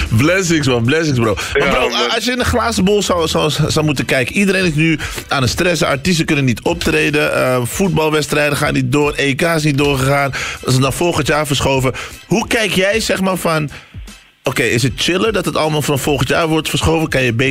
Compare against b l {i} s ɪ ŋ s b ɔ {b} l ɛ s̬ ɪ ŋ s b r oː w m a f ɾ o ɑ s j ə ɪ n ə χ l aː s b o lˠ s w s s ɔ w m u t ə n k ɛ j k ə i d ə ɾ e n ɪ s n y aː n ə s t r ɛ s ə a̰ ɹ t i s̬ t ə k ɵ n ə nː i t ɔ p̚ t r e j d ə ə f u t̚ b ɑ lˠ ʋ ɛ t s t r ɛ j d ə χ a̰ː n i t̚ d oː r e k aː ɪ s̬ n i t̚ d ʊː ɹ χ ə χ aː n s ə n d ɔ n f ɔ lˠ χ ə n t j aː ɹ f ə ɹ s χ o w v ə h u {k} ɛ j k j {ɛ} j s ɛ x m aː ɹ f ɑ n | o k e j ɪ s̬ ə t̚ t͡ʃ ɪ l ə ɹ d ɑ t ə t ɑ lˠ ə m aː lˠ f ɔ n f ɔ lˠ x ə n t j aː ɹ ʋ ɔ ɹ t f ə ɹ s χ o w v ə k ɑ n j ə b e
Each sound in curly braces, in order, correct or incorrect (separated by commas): incorrect, correct, correct, correct